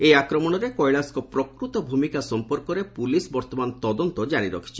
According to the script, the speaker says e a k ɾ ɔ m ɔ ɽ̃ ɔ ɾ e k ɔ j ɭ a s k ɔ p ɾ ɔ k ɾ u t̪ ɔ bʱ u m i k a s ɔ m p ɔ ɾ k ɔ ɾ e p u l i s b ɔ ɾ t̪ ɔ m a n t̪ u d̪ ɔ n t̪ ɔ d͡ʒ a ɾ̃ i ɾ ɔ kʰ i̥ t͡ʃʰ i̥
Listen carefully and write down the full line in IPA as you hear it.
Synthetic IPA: e a k ɾ ɔ m ɔ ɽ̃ ɔ ɾ e k ɔ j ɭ a s k ɔ p ɾ ɔ k ɾ u t̪ ɔ bʱ u m i k a s ɔ m p ɔ ɾ k ɔ ɾ e p u l i s b ɔ ɾ t̪ ɔ m a n t̪ ɔ d̪ ɔ n t̪ ɔ d͡ʒ a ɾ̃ i ɾ ɔ kʰ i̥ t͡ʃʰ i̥